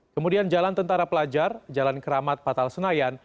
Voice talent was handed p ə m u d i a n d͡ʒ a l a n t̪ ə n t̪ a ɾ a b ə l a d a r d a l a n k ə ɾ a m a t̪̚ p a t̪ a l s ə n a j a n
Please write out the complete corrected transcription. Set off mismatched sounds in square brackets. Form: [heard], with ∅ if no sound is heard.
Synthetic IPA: [k] ə m u d i a n d͡ʒ a l a n t̪ ə n t̪ a ɾ a [p] ə l a [d͡ʒ] a r [d͡ʒ] a l a n k ə ɾ a m a t̪̚ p a t̪ a l s ə n a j a n